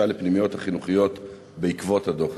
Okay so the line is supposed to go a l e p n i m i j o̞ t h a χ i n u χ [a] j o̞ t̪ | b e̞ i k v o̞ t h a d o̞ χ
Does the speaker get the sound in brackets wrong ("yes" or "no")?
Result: yes